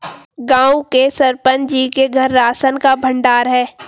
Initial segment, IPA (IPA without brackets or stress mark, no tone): ɡ